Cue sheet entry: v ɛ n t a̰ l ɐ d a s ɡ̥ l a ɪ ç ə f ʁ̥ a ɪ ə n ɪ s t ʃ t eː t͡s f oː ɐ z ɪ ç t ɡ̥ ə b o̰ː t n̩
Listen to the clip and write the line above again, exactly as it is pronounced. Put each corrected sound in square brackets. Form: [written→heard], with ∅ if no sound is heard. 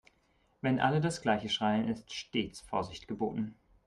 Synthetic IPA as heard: v ɛ n [t→ʔ] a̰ l [ɐ→ə] d a s ɡ̥ l a ɪ ç ə [f→ʃ] ʁ̥ a ɪ ə n ɪ s t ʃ t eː t͡s f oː ɐ z ɪ ç t ɡ̥ ə b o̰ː t n̩